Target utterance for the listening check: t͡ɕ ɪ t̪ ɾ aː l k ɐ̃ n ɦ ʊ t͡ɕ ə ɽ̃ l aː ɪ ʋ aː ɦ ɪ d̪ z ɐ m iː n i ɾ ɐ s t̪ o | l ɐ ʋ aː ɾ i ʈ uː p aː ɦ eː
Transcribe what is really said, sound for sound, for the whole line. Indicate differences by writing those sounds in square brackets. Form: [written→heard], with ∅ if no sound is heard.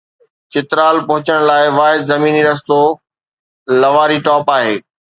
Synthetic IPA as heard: t͡ɕ ɪ t̪ ɾ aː l [k→p] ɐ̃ [n→∅] ɦ ʊ t͡ɕ ə ɽ̃ l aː ɪ ʋ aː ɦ ɪ d̪ z ɐ m iː n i ɾ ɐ s t̪ o | l ɐ ʋ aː ɾ i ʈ [uː→ɔː] p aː ɦ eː